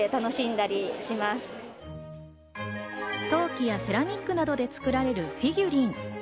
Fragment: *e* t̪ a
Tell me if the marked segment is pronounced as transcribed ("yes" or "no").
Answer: yes